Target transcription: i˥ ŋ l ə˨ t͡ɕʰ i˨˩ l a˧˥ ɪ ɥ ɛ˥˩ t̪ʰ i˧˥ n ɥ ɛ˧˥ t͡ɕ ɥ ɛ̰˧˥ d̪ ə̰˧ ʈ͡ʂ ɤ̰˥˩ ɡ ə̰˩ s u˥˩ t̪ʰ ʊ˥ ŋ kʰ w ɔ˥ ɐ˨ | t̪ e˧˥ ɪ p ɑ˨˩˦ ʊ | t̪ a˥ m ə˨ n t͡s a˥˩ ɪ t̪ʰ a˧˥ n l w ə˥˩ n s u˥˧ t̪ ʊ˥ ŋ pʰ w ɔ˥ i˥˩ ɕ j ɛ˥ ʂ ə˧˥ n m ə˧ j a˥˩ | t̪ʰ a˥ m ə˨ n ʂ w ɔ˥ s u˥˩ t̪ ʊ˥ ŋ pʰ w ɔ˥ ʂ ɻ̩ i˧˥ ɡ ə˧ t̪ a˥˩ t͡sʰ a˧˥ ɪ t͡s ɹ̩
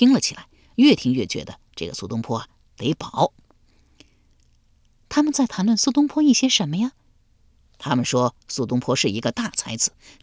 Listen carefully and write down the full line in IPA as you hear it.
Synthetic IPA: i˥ ŋ l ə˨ t͡ɕʰ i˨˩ l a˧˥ ɪ ɥ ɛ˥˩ t̪ʰ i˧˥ ŋ ɥ ɛ˥˩ t͡ɕ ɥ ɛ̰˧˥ d̪ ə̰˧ ʈ͡ʂ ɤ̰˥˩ ɡ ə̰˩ s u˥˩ t̪ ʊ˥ ŋ pʰ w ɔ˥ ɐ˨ | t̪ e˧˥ ɪ p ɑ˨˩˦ ʊ | t̪ʰ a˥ m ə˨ n t͡s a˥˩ ɪ t̪ʰ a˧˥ n l w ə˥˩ n s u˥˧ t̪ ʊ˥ ŋ pʰ w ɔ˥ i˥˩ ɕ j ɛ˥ ʂ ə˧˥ n m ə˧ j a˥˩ | t̪ʰ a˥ m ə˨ n ʂ w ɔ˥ s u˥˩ t̪ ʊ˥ ŋ pʰ w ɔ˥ ʂ ɻ̩ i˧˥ ɡ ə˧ t̪ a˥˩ t͡sʰ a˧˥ ɪ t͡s ɹ̩